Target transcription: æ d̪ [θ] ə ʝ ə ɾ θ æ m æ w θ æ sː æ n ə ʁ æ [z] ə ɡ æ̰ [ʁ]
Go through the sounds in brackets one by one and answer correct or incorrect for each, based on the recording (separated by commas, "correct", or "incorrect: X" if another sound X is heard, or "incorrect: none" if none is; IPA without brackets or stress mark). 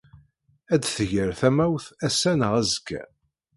correct, correct, incorrect: none